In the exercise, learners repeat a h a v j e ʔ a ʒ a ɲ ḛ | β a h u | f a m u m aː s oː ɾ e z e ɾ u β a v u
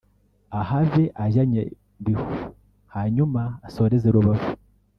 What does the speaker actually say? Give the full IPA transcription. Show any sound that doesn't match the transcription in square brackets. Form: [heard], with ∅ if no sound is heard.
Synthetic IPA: a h a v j e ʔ a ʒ a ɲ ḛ | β [i] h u | [h] a [ɲ] u m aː s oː ɾ e z e ɾ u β a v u